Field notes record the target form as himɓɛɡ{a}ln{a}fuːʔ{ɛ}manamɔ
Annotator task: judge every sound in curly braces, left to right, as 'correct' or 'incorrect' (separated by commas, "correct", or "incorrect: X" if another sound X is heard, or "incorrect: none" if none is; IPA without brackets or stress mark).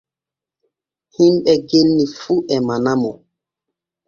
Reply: incorrect: e, incorrect: i, correct